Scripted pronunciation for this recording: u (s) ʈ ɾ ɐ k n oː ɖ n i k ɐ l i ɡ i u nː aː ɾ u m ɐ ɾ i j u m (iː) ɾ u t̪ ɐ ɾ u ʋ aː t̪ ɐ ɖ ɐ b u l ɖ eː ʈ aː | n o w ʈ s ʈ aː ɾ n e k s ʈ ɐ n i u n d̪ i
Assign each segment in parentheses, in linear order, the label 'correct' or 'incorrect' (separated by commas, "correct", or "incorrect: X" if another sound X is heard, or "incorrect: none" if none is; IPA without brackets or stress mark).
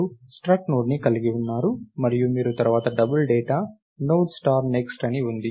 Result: correct, correct